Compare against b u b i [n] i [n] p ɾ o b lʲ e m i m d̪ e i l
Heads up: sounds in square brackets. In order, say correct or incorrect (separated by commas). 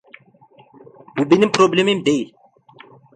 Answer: correct, incorrect